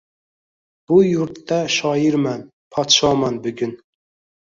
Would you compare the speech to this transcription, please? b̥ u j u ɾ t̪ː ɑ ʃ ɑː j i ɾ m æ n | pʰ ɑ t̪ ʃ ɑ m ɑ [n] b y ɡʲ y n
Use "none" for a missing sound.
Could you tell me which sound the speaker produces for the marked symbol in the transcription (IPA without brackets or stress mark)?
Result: n